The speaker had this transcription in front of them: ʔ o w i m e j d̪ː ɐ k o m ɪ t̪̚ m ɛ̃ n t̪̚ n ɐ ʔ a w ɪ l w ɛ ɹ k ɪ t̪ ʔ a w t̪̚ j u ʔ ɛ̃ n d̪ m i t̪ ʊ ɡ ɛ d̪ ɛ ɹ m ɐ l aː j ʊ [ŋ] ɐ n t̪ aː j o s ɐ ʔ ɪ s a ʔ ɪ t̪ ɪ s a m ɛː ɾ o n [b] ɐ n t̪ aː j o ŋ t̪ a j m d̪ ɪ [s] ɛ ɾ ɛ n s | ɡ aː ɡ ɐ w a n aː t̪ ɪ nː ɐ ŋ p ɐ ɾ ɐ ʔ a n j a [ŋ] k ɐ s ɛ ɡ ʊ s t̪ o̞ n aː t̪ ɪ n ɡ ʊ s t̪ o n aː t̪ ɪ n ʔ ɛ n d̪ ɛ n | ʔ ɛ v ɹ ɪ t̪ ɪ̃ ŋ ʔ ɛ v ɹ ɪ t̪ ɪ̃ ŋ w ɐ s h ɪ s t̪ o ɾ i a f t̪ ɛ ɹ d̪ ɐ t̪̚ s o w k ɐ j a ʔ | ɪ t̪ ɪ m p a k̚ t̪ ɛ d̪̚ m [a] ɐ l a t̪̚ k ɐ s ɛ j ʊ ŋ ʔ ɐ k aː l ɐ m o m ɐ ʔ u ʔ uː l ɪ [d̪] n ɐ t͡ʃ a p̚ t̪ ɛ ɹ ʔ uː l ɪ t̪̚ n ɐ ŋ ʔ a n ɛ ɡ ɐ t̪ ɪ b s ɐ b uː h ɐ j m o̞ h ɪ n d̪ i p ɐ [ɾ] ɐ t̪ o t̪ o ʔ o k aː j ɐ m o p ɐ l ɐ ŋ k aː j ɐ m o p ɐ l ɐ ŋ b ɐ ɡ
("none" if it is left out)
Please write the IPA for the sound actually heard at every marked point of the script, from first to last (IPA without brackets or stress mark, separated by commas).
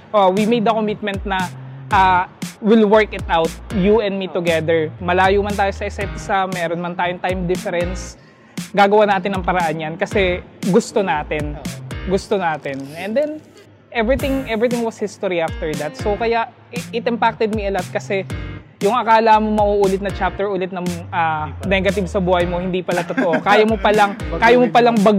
m, m, f, n, i, t̪, l